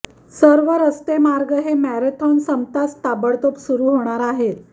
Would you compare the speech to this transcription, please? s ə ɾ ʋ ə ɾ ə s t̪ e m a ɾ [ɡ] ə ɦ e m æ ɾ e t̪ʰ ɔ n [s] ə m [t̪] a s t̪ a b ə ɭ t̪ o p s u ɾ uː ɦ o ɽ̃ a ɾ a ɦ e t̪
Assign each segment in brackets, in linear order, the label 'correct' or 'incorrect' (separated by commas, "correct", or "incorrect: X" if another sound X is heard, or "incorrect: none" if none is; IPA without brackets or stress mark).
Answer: correct, correct, correct